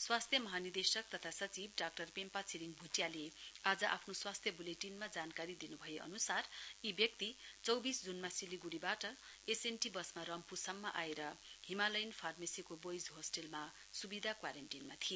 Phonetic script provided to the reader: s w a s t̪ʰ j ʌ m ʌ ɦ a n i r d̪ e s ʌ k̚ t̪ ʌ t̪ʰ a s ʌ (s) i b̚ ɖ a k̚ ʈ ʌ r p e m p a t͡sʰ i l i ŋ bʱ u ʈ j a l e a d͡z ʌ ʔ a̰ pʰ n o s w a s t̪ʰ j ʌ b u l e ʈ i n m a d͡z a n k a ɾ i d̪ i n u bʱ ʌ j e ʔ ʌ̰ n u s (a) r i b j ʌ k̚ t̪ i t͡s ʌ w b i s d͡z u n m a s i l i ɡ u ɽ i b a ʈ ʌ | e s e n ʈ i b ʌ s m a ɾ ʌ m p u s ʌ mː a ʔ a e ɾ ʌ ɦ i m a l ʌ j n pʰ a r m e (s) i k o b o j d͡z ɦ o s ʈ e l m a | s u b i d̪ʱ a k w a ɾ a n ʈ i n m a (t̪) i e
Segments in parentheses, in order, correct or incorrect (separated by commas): incorrect, correct, correct, incorrect